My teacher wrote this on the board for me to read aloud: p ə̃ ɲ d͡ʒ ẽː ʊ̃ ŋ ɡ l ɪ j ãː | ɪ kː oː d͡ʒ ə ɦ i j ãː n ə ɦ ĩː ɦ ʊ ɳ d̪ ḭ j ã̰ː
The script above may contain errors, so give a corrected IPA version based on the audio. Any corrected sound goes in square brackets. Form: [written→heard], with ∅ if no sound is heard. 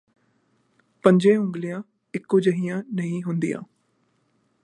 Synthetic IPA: p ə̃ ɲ d͡ʒ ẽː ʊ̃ ŋ ɡ l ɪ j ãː | ɪ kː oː d͡ʒ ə ɦ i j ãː n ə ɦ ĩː ɦ ʊ [ɳ→n] d̪ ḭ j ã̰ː

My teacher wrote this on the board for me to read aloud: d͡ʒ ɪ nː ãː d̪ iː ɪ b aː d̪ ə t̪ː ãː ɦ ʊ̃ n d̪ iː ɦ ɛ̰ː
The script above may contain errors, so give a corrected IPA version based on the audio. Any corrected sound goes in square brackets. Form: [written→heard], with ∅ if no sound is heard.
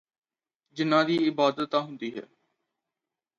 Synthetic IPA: d͡ʒ ɪ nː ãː d̪ iː ɪ b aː d̪ ə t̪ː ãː ɦ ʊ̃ n d̪ iː ɦ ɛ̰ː

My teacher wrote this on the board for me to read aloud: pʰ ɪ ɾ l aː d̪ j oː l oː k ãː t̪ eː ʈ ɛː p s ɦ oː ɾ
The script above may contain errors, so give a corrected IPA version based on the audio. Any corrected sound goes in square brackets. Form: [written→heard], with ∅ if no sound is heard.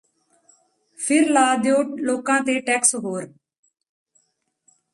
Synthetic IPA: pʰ ɪ ɾ l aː d̪ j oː l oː k ãː t̪ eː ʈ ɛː [p→k] s ɦ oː ɾ

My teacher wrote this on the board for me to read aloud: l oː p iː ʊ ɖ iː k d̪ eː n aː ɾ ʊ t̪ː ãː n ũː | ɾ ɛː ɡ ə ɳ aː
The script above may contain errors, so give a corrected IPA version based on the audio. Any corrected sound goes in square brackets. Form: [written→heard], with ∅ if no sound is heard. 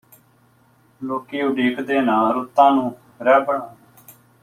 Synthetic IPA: l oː [p→k] iː ʊ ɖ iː k d̪ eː n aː ɾ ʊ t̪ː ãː n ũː | ɾ ɛː [ɡ→b] ə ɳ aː

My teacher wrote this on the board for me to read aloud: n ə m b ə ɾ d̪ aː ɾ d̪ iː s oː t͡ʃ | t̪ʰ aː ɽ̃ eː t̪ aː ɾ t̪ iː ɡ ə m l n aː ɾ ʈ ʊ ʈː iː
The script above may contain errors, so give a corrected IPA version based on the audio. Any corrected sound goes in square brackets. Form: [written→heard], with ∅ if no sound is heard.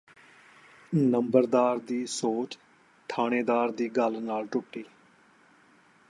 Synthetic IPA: n ə m b ə ɾ d̪ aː ɾ d̪ iː s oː t͡ʃ | t̪ʰ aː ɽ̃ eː [t̪→d̪] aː ɾ [t̪→d̪] iː ɡ ə [m→∅] l n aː [ɾ→l] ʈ ʊ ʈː iː

